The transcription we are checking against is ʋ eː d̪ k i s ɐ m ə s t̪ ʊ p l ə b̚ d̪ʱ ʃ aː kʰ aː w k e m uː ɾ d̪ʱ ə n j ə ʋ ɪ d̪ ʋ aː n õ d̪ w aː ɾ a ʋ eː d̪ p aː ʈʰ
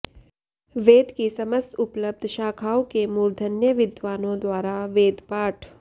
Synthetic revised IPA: ʋ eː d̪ k i s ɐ m ə s t̪ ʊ p l ə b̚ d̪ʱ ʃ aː kʰ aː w k e m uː ɾ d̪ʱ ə n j ə ʋ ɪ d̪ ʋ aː n õ d̪ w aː ɾ a ʋ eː d̪ p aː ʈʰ